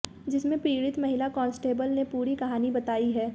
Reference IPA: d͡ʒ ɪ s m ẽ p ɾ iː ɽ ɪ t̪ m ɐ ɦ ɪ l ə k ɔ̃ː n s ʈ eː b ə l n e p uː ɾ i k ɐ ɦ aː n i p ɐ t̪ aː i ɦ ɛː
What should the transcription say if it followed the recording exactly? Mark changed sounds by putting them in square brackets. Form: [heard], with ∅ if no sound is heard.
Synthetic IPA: d͡ʒ ɪ s m ẽ p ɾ iː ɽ ɪ t̪ m ɐ ɦ ɪ l [a] k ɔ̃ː n s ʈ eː b ə l n e p uː ɾ i k ɐ ɦ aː n i [b] ɐ t̪ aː i ɦ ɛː